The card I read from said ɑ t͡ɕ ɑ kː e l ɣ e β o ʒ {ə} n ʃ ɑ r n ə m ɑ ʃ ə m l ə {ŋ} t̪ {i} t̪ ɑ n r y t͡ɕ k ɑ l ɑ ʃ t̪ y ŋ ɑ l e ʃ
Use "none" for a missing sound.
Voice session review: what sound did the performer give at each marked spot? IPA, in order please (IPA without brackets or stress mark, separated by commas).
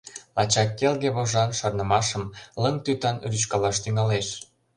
ɑ, ŋ, y